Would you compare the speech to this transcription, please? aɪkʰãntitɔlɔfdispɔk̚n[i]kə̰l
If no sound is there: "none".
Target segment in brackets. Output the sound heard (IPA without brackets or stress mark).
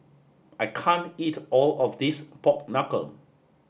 a